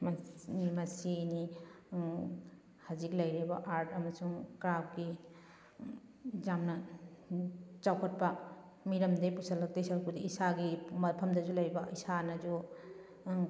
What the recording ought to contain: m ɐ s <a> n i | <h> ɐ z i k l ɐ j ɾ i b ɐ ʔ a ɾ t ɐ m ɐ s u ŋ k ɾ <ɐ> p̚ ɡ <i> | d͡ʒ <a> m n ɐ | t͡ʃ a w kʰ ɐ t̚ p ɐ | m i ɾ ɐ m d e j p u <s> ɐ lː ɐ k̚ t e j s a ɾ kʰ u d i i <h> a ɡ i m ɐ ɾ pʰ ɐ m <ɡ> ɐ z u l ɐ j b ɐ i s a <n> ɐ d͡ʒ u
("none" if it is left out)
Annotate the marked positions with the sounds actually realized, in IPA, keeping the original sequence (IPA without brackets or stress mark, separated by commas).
i, h, a, i, a, s, s, d, n